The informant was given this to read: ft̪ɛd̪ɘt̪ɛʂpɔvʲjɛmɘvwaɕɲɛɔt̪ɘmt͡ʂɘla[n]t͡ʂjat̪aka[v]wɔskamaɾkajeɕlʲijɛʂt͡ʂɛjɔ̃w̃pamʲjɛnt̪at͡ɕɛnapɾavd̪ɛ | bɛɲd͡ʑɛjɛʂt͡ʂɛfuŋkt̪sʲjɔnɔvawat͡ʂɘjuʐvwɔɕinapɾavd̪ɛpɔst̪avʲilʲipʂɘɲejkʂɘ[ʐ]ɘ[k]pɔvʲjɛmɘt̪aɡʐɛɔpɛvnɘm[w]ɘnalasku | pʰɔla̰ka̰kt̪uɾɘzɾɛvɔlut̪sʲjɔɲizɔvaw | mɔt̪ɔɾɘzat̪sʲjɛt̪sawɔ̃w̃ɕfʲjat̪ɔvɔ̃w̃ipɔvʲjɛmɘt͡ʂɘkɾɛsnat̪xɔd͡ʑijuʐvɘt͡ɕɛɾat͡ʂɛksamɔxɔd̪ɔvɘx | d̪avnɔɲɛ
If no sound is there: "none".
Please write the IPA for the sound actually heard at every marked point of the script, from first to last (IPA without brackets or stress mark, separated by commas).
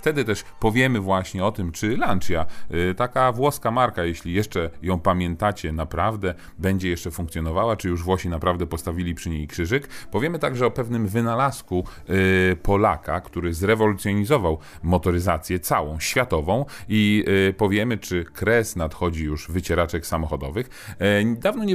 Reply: n, v, ʐ, k, v